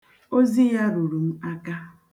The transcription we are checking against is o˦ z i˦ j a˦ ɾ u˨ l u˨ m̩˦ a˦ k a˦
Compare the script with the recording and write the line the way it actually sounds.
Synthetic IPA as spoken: o˦ z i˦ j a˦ ɾ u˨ ɾ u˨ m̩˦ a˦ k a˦